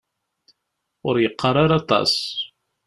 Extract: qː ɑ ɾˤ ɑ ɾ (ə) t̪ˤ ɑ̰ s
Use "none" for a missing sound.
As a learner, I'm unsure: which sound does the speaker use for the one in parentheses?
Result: ɑ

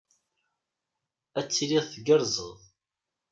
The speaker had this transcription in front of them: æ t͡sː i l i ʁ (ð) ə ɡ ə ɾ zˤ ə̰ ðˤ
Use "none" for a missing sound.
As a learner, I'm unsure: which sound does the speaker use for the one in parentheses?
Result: θ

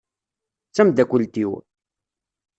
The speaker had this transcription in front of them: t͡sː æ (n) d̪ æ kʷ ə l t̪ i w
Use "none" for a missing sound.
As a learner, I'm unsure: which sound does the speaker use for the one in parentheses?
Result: m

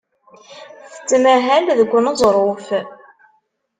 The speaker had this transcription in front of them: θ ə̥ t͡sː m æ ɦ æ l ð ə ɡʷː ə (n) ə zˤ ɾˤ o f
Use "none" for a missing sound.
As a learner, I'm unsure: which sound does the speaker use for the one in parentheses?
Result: n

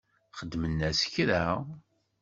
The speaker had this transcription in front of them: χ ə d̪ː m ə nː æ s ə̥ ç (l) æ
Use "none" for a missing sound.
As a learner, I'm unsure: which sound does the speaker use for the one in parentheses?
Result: ɾ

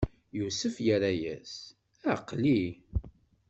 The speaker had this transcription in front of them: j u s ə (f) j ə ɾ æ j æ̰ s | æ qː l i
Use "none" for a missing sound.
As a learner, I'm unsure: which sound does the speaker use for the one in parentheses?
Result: f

